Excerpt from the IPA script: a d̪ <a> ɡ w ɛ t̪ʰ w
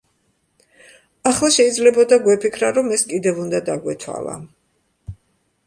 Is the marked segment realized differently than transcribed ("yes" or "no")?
no